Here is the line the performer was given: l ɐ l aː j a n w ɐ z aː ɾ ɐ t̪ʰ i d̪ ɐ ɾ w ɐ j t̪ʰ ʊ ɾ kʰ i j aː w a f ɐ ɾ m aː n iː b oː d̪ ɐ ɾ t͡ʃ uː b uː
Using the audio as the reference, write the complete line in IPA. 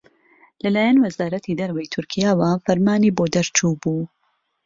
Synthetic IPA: l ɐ l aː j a n w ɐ z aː ɾ ɐ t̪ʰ i d̪ ɐ ɾ w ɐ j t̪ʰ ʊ ɾ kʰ i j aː w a f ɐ ɾ m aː n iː b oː d̪ ɐ ɾ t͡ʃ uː b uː